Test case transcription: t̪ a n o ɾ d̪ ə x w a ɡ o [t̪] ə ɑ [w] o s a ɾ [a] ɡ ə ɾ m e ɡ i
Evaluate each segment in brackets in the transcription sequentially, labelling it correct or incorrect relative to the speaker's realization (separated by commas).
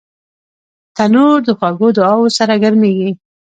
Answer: incorrect, correct, correct